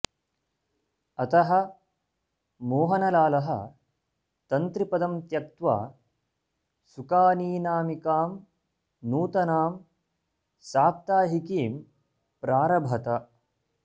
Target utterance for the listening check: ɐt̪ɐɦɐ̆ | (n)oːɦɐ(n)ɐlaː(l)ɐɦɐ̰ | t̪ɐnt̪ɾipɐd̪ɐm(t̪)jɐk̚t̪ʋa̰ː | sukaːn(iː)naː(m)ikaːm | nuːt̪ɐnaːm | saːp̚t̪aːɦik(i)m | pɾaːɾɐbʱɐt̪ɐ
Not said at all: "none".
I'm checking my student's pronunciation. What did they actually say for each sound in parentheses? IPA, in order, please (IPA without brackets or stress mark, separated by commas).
m, n, l, t̪, iː, m, iː